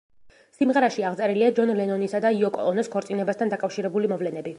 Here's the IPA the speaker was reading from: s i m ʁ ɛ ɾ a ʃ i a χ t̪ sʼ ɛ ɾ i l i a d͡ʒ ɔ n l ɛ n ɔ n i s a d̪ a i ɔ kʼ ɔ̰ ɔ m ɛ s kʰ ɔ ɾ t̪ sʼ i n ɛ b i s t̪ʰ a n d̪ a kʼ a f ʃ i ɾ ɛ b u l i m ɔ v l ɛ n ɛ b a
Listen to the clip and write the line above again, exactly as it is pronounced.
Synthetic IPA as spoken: s i m ʁ ɛ ɾ a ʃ i a ʁ t̪ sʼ ɛ ɾ i l i a d͡ʒ ɔ n l ɛ n ɔ n i s a d̪ a i ɔ kʼ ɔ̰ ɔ n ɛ s kʰ ɔ ɾ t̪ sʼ i n ɛ b a s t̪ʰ a n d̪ a kʼ a f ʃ i ɾ ɛ b u l i m ɔ v l ɛ n ɛ b i